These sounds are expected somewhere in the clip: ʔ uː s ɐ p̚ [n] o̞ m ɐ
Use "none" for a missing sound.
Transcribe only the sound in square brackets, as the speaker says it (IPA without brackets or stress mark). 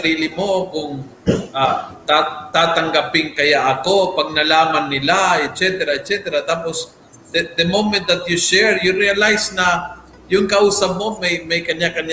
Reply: m